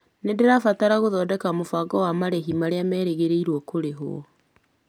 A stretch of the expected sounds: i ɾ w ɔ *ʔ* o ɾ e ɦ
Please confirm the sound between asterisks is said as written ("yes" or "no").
no